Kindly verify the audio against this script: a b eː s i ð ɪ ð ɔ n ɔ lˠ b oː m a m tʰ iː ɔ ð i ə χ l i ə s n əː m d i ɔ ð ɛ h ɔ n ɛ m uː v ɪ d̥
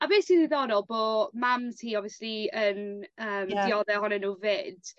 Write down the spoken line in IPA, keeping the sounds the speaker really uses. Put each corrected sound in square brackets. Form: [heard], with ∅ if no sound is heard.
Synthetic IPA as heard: a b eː s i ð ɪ ð ɔ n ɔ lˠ b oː m a m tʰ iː ɔ [v] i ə [s] l i ə [∅] n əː m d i ɔ ð ɛ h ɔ n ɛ [n] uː v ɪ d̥